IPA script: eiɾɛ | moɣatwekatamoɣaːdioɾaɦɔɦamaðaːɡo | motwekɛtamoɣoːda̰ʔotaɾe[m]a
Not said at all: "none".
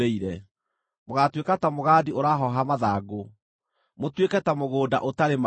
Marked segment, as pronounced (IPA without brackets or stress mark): m